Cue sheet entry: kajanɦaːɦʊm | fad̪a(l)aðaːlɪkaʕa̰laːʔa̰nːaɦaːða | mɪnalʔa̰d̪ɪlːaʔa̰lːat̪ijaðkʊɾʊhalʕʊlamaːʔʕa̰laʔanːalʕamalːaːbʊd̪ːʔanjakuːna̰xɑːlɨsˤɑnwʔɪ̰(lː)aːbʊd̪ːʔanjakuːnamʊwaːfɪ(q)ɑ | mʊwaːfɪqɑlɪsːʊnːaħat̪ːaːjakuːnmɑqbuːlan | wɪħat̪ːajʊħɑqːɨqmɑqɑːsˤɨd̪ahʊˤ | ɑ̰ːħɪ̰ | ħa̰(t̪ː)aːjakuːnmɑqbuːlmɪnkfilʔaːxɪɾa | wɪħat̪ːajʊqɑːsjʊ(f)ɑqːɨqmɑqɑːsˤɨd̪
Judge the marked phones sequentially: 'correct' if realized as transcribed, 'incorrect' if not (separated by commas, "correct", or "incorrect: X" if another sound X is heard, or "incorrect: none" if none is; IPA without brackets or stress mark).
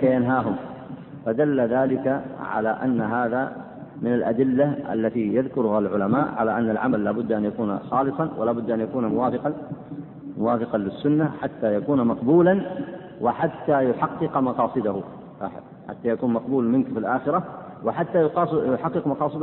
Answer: incorrect: lː, incorrect: l, correct, correct, incorrect: ħ